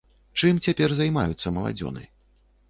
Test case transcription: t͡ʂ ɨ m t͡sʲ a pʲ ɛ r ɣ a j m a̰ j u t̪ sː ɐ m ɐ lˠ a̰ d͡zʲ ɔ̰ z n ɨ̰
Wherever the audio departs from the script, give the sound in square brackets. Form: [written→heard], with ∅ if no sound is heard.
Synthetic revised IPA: t͡ʂ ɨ m t͡sʲ a pʲ ɛ r [ɣ→z] a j m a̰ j u t̪ sː ɐ m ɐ lˠ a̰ d͡zʲ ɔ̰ [z→∅] n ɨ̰